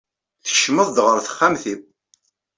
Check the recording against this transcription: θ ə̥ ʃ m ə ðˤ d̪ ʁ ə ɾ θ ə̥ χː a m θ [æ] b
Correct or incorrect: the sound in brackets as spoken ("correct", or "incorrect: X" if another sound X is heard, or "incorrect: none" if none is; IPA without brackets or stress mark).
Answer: incorrect: i